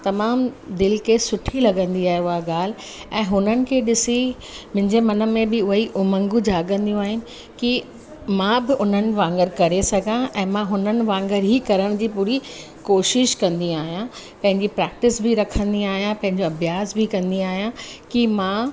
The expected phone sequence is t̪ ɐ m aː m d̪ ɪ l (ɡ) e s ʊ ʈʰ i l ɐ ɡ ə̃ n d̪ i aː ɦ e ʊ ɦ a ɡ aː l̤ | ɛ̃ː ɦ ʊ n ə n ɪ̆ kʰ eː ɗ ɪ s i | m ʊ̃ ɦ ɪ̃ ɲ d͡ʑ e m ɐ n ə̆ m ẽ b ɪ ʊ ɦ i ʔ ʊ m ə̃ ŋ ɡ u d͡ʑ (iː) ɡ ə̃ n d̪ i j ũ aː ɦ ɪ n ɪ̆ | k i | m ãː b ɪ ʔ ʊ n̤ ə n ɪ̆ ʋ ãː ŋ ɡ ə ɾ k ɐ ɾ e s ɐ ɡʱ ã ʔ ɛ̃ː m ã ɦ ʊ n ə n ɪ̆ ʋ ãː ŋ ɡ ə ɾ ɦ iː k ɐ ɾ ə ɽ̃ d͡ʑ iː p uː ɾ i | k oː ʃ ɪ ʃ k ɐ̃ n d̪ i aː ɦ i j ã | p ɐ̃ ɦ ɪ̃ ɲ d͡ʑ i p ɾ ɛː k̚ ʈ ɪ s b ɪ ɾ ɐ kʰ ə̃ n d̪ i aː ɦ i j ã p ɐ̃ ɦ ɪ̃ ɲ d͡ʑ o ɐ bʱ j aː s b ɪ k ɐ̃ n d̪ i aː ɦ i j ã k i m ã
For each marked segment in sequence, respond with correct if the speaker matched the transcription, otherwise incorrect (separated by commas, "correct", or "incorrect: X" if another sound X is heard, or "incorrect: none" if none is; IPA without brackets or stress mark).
incorrect: k, incorrect: aː